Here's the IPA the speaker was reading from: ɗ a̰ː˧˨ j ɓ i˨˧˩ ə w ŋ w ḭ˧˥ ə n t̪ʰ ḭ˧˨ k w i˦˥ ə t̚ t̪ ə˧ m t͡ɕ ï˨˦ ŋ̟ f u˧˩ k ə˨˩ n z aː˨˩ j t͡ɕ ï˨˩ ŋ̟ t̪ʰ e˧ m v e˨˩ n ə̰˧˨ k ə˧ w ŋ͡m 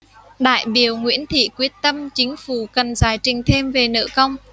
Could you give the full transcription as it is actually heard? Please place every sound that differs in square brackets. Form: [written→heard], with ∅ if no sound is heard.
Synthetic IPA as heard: ɗ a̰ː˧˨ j ɓ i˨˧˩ ə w ŋ w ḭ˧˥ ə n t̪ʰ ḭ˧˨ k w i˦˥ ə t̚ t̪ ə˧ m t͡ɕ ï˨˦ ŋ̟ f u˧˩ k ə˨˩ n z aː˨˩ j t͡ɕ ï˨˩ ŋ̟ t̪ʰ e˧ m v e˨˩ n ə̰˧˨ k ə˧ w ŋ͡m